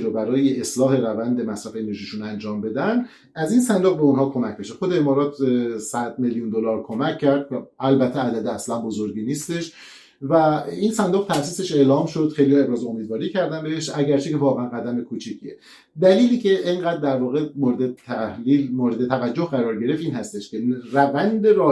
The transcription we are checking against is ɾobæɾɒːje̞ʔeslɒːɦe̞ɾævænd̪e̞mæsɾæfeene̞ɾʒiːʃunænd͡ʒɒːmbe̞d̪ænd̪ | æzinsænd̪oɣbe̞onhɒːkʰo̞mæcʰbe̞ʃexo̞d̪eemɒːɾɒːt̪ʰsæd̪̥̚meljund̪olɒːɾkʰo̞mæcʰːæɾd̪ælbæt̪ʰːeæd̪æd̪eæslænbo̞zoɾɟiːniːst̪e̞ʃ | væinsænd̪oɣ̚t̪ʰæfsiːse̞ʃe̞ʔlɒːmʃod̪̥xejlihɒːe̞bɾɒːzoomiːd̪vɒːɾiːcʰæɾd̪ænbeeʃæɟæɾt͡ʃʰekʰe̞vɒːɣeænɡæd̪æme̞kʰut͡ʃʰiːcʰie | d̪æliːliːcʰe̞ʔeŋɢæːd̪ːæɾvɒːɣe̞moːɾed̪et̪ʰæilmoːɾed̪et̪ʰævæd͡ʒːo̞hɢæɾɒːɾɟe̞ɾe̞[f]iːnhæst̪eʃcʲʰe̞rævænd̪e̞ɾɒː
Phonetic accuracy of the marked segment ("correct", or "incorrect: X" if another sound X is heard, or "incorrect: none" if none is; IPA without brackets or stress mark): correct